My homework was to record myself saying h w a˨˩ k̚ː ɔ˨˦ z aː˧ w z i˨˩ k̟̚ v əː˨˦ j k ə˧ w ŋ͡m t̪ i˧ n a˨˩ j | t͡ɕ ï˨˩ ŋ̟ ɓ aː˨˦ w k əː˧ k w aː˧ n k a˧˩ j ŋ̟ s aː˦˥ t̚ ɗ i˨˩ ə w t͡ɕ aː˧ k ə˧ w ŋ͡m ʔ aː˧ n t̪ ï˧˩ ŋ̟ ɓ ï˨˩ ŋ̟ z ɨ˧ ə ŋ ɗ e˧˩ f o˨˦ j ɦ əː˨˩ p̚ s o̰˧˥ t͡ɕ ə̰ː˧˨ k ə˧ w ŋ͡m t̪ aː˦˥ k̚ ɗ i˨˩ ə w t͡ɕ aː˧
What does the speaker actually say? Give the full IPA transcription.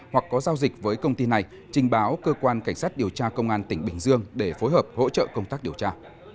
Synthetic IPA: h w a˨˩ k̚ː ɔ˨˦ z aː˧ w z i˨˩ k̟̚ v əː˨˦ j k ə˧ w ŋ͡m t̪ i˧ n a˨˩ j | t͡ɕ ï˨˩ ŋ̟ ɓ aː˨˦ w k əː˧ k w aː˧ n k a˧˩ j ŋ̟ s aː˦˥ t̚ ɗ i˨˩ ə w t͡ɕ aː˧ k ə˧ w ŋ͡m ʔ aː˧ n t̪ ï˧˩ ŋ̟ ɓ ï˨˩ ŋ̟ z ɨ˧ ə ŋ ɗ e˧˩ f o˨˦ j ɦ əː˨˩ p̚ h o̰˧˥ t͡ɕ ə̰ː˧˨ k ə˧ w ŋ͡m t̪ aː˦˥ k̚ ɗ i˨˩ ə w t͡ɕ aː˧